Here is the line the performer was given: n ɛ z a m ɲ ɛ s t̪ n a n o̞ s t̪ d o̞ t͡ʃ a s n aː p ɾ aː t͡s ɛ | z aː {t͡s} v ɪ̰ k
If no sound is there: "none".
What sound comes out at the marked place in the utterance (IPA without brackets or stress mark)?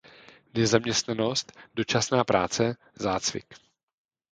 t͡s